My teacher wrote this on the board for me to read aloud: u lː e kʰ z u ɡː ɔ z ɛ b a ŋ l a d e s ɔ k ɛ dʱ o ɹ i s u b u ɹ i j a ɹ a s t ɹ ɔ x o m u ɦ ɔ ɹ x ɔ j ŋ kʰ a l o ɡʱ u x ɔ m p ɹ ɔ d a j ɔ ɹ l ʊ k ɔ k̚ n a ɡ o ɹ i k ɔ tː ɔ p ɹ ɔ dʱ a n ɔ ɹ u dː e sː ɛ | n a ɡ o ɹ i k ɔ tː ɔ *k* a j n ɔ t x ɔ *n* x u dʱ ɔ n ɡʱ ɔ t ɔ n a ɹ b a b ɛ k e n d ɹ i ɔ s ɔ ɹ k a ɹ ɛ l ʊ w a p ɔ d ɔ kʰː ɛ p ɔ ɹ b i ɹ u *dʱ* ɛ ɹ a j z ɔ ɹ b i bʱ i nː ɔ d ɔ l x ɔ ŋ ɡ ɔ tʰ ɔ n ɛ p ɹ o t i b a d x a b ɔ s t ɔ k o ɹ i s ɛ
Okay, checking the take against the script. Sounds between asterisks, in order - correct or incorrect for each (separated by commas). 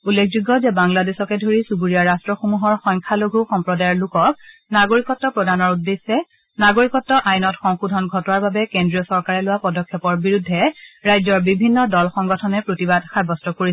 incorrect, incorrect, incorrect